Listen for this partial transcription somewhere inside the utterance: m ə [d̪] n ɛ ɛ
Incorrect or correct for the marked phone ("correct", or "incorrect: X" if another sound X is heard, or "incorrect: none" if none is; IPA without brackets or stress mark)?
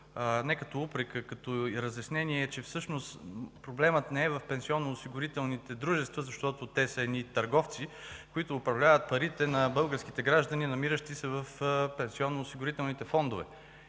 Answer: incorrect: t̪